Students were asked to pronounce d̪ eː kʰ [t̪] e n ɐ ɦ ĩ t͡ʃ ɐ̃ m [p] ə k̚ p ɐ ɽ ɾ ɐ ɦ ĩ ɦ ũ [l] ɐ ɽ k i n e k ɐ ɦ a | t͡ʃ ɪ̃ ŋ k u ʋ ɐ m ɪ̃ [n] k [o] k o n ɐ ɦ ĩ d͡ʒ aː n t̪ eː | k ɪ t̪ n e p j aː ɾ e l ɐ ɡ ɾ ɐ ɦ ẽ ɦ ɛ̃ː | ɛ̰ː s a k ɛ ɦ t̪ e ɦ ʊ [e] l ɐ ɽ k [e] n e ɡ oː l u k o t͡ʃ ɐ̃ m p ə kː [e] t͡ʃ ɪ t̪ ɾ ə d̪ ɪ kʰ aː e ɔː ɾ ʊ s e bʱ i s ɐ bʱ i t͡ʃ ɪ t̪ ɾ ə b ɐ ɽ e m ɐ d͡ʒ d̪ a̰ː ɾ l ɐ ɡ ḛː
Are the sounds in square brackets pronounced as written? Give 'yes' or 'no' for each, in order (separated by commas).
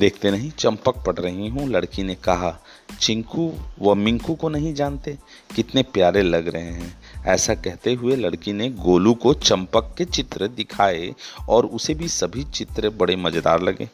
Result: yes, yes, yes, no, no, yes, no, yes